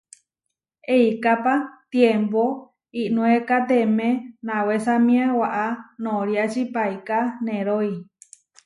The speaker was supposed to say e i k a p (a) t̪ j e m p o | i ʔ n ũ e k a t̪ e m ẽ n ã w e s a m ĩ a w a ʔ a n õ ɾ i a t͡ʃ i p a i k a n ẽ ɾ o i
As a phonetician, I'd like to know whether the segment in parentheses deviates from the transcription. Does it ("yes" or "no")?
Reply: no